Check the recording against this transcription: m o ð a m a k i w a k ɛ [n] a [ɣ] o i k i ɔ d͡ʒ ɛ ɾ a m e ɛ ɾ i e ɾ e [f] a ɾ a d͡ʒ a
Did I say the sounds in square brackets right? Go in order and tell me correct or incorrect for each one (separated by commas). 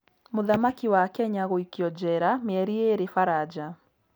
incorrect, correct, correct